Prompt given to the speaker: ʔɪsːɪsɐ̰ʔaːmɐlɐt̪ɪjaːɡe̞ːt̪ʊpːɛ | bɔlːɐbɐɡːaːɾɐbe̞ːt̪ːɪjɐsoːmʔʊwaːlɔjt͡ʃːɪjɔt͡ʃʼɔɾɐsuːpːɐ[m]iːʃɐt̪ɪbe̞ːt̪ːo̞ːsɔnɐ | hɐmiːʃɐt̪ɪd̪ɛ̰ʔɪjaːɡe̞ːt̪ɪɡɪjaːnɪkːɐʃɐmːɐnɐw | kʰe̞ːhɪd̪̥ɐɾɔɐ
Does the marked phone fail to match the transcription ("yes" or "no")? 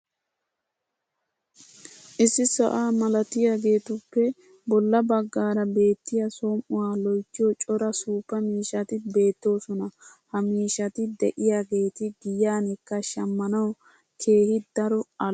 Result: no